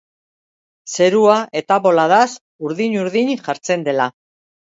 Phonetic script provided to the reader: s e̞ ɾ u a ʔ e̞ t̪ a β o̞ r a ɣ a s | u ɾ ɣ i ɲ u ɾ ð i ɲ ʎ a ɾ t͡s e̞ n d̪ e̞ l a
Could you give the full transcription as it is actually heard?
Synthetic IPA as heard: s e̞ ɾ u a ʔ e̞ t̪ a β o̞ l a ð a s | u ɾ ð i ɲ u ɾ ð i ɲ ʝ a ɾ t͡s e̞ n d̪ e̞ l a